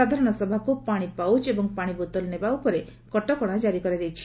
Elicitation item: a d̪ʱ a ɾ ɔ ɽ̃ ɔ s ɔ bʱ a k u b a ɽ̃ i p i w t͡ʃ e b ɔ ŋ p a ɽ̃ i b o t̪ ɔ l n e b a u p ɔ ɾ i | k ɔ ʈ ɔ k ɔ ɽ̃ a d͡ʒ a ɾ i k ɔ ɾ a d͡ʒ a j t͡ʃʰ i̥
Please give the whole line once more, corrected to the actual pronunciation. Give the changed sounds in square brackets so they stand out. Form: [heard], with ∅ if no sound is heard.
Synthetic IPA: a d̪ʱ a ɾ ɔ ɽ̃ ɔ s ɔ bʱ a k u [p] a ɽ̃ i p [a] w t͡ʃ e b ɔ ŋ p a ɽ̃ i b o t̪ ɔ l n e b a u p ɔ ɾ [e] | k ɔ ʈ ɔ k ɔ ɽ̃ a d͡ʒ a ɾ i k ɔ ɾ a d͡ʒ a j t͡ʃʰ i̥